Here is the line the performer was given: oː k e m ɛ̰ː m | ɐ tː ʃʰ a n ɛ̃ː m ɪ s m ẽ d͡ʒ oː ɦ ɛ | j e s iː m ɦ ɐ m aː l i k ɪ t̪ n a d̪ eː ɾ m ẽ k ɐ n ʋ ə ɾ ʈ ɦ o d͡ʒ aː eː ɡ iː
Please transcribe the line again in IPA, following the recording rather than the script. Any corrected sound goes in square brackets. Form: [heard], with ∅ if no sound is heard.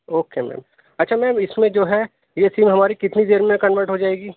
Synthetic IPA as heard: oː k e m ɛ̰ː m | ɐ tː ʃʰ a [m] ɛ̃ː m ɪ s m ẽ d͡ʒ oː ɦ ɛ | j e s iː m ɦ ɐ m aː [ɾ] i k ɪ t̪ n [i] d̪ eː ɾ m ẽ k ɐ n ʋ ə ɾ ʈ ɦ o d͡ʒ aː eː ɡ iː